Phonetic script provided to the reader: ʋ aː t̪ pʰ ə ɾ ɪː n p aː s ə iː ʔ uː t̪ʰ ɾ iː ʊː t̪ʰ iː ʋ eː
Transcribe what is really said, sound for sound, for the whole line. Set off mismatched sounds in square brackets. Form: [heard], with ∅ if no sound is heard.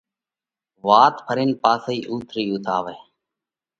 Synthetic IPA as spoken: ʋ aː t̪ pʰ ə ɾ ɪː n p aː s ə iː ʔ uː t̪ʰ ɾ iː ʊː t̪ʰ [aː] ʋ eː